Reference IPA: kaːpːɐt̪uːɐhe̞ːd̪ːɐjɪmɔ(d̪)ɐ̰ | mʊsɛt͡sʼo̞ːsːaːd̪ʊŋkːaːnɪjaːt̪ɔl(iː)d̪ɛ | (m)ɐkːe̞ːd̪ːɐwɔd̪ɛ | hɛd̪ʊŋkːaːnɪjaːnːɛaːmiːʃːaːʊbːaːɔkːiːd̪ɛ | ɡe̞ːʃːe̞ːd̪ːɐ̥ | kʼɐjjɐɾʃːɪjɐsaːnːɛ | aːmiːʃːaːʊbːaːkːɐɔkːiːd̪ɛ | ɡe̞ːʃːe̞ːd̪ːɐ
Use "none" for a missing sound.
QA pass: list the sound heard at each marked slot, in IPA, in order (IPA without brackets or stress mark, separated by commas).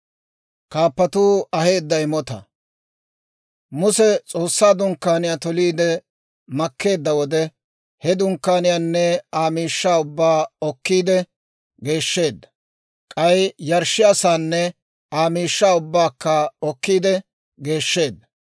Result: t̪, iː, m